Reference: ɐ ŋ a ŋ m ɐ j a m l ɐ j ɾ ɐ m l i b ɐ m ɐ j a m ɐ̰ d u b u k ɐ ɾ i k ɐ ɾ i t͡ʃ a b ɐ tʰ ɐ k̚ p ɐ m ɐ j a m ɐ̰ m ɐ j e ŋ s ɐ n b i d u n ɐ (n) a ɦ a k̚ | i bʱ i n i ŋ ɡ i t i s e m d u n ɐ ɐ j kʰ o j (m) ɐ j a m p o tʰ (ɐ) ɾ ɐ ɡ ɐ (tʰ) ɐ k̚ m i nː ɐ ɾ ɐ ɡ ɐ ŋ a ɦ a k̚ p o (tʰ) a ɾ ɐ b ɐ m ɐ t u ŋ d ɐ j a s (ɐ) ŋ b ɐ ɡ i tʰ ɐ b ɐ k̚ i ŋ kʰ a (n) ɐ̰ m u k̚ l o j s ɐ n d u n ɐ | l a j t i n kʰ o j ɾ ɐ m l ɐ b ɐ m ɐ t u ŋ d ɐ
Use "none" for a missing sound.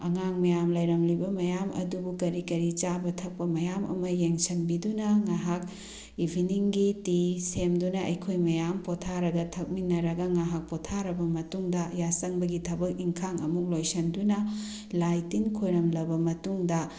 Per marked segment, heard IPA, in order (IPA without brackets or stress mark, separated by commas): ŋ, m, a, tʰ, tʰ, ɐ, ŋ